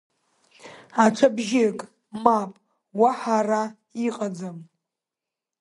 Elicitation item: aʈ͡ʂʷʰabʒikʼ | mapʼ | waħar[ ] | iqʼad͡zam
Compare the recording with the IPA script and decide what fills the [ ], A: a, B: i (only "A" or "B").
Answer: A